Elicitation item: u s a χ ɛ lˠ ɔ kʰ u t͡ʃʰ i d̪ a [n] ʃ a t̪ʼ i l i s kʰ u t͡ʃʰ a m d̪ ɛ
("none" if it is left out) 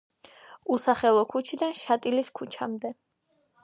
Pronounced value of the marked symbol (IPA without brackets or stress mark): n